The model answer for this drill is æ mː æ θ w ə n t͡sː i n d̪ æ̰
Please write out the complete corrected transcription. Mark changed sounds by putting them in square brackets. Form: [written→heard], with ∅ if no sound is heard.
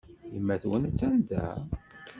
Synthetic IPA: [æ→i] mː æ θ w ə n t͡sː [i→æ] n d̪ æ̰